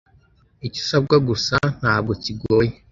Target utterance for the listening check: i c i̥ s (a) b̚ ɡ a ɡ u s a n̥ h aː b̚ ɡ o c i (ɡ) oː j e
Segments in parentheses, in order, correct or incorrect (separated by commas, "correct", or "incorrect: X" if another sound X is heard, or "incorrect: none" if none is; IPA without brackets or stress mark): correct, correct